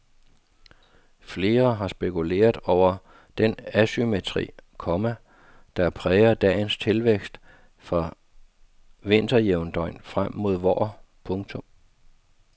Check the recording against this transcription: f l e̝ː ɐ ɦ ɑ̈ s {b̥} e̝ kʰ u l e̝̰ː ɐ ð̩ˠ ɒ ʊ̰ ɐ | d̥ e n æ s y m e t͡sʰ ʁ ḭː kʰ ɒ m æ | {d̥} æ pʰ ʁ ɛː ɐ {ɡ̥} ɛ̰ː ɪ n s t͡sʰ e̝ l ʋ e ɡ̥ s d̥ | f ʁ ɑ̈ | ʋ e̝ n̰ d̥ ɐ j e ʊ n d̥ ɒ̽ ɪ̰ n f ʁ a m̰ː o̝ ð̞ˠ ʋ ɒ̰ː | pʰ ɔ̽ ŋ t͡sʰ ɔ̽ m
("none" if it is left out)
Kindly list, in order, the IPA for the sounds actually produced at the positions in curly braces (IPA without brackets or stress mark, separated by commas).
b̥, d̥, d̥